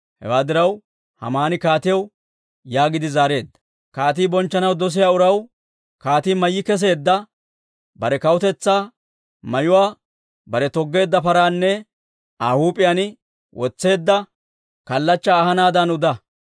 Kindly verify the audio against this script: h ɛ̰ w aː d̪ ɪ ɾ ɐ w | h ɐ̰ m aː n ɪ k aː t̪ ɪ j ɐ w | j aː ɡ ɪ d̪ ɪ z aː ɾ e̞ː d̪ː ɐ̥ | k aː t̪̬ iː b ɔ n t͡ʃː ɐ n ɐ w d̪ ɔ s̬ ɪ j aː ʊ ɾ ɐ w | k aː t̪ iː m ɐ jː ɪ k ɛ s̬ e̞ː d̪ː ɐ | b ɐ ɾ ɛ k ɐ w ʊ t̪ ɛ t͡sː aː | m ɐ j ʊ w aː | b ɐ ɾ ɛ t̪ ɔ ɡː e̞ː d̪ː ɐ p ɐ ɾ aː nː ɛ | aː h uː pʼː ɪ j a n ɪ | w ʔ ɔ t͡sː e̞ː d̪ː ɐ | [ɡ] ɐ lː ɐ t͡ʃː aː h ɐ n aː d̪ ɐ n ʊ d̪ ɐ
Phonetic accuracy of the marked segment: incorrect: k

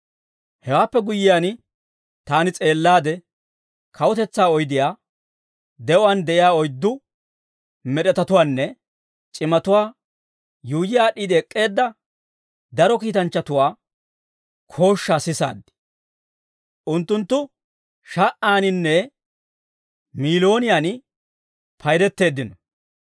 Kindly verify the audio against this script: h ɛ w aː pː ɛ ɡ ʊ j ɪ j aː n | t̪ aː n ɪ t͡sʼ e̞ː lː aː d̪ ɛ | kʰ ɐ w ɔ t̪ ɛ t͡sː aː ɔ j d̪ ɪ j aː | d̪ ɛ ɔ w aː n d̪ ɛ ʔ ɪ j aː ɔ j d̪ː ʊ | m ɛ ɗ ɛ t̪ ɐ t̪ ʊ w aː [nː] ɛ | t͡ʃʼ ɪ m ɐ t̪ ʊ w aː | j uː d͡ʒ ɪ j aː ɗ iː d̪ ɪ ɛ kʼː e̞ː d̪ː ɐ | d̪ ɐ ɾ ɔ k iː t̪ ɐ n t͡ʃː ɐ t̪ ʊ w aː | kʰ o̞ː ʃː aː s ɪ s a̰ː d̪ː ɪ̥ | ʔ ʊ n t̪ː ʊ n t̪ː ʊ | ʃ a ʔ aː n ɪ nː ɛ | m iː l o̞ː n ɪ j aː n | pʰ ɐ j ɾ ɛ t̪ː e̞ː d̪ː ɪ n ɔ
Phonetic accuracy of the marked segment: correct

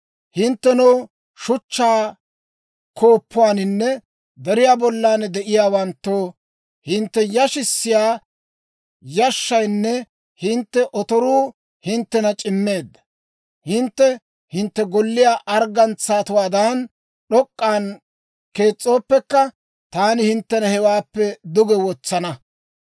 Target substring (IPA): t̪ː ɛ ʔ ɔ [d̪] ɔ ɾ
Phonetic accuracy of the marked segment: incorrect: t̪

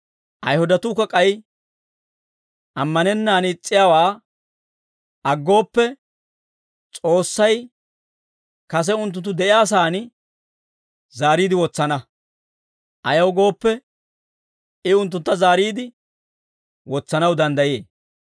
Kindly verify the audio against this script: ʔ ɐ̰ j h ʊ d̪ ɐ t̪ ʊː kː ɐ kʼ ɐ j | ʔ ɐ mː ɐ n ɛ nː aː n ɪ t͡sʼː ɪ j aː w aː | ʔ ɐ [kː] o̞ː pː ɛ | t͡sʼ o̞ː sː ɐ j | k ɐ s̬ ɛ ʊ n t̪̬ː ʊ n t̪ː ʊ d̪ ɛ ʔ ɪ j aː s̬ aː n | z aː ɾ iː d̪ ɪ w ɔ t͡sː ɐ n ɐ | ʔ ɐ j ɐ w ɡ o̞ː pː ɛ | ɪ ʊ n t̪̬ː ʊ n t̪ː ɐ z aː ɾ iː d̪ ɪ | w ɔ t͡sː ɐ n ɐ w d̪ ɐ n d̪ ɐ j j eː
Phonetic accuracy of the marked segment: incorrect: ɡː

